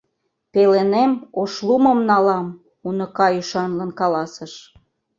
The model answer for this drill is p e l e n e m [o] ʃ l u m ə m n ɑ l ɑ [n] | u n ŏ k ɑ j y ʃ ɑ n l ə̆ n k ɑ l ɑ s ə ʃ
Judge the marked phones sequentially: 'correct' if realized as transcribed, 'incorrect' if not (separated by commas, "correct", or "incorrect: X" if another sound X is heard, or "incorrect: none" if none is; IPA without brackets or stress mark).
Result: correct, incorrect: m